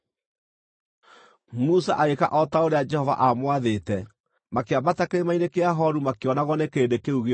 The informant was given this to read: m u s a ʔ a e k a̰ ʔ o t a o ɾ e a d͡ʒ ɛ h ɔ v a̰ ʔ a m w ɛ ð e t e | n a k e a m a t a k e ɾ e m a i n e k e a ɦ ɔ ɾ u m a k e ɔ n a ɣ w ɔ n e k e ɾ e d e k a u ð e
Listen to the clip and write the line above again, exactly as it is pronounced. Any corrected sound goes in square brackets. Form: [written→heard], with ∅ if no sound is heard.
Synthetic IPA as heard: m u s a ʔ a e k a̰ ʔ [o→ɔ] t a o ɾ e a d͡ʒ ɛ h ɔ v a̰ ʔ a m w [ɛ→a] ð e t [e→ɛ] | [n→m] a k e a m a t a k e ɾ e m a i n e k e a ɦ ɔ ɾ u m a k e ɔ n a ɣ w ɔ n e k e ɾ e d e k [a→e] u [ð→ɣ] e